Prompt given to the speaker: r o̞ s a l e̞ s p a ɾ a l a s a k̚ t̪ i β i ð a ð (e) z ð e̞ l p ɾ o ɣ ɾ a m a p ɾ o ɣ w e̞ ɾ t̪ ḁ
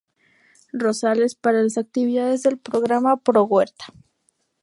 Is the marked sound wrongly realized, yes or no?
no